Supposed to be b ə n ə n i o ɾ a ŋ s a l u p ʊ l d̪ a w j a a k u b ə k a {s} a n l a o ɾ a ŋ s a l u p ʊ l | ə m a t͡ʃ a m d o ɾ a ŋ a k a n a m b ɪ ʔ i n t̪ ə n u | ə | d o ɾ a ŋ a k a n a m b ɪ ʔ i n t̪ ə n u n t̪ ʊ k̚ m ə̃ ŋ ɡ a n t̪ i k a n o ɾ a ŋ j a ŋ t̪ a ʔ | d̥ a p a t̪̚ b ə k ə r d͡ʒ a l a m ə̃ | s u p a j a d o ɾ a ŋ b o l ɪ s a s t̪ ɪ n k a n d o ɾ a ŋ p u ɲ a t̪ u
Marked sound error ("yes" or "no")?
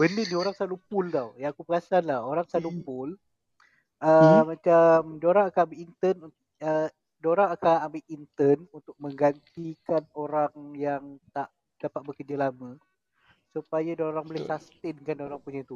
no